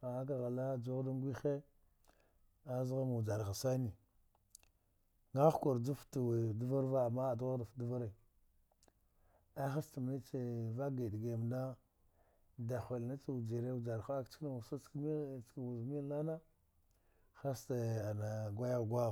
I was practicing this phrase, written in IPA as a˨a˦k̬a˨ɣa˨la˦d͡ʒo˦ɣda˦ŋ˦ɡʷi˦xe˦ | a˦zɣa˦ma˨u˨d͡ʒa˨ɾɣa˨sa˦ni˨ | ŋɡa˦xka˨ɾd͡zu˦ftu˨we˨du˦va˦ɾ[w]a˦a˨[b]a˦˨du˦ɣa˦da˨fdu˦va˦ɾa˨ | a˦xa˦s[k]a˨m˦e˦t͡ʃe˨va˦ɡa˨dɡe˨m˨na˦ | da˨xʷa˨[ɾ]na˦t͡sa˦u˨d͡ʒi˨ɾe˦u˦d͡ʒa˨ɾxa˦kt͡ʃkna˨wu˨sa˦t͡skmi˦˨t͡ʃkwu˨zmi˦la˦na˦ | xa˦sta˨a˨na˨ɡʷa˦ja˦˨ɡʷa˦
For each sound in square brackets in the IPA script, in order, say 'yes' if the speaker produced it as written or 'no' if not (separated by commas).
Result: no, no, no, no